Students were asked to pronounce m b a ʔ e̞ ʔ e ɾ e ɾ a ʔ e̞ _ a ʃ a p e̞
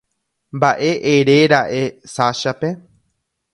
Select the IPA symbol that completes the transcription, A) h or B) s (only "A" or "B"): B